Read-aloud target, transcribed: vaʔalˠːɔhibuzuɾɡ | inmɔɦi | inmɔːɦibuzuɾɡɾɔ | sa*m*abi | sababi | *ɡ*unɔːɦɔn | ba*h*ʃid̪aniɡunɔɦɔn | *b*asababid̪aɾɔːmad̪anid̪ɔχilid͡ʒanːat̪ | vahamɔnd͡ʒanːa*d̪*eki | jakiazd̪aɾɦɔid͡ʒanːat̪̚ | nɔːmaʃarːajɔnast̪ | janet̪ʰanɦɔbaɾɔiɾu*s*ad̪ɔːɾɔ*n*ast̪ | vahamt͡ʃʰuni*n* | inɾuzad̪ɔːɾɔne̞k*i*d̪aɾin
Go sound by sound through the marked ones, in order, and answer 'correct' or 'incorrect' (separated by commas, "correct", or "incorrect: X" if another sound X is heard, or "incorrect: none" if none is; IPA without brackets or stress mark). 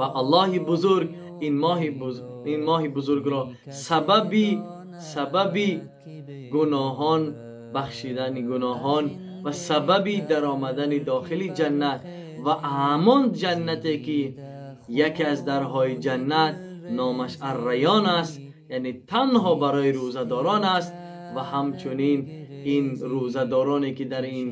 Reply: incorrect: b, correct, incorrect: χ, incorrect: v, incorrect: t̪, incorrect: z, correct, correct, correct